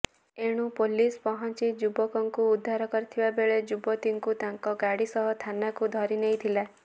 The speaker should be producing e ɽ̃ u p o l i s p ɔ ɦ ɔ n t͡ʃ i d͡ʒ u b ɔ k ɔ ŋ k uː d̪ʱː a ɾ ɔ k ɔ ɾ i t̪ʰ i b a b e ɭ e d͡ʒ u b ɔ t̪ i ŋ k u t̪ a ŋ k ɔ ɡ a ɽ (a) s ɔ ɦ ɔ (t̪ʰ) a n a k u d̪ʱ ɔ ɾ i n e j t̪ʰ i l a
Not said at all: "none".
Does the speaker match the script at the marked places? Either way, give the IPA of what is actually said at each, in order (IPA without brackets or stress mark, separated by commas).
i, t̪ʰ